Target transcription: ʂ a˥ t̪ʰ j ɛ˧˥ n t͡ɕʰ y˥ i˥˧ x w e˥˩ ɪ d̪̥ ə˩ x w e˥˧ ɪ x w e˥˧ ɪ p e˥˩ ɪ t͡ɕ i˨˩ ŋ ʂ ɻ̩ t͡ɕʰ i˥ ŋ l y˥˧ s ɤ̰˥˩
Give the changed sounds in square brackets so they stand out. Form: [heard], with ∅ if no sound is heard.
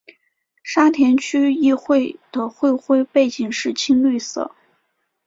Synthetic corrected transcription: ʂ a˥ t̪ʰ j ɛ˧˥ n t͡ɕʰ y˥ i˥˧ x w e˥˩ ɪ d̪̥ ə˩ x w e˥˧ ɪ x w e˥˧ ɪ p e˥˩ ɪ t͡ɕ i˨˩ ŋ ʂ ɻ̩ t͡ɕʰ i˥ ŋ l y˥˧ s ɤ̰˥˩